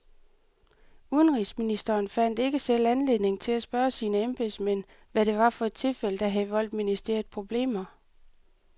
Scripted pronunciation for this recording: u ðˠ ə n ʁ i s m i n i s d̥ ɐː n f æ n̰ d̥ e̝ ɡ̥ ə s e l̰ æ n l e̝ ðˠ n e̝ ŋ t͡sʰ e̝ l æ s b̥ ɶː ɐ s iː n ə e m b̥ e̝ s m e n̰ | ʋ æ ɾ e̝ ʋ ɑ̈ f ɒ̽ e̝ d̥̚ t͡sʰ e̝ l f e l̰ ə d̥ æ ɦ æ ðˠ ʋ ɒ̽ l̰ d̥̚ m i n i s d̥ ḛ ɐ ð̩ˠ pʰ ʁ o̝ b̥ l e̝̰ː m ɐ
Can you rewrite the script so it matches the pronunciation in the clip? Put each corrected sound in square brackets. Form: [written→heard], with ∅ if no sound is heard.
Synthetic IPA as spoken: u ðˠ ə n ʁ i s m i n i s d̥ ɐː n f æ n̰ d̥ e̝ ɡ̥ ə s e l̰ æ n l e̝ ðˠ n e̝ ŋ t͡sʰ e̝ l æ s b̥ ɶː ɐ s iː n ə e m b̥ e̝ s m e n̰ | ʋ æ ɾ e̝ ʋ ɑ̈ f ɒ̽ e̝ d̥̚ t͡sʰ e̝ l f e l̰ ə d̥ æ ɦ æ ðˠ ʋ ɒ̽ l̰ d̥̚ m i n i s d̥ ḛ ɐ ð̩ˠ pʰ ʁ o̝ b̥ l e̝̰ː m ɐ